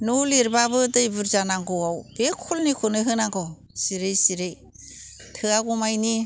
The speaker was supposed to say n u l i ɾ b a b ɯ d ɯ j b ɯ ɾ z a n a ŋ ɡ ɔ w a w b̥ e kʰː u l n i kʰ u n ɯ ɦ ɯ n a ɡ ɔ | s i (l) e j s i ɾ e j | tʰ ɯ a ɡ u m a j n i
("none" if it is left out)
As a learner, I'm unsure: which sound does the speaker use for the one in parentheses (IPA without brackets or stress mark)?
ɾ